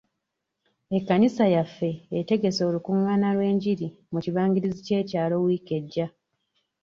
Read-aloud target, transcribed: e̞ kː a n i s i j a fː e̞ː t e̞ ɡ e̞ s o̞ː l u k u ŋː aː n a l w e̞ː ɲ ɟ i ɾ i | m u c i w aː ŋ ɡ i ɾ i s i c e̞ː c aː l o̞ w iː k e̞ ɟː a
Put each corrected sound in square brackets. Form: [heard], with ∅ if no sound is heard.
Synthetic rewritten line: e̞ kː a n i s [a] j a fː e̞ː t e̞ ɡ e̞ s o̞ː l u k u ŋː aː n a l w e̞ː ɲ ɟ i ɾ i | m u c i [β] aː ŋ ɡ i ɾ i [z] i c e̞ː c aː l o̞ w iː k e̞ ɟː a